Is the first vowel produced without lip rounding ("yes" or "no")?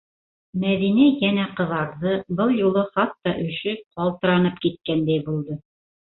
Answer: yes